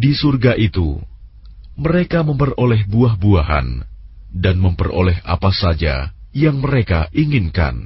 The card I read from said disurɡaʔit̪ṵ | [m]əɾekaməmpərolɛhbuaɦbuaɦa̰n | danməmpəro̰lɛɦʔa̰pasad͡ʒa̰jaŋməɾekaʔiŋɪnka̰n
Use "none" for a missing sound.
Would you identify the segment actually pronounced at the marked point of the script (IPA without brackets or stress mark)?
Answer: m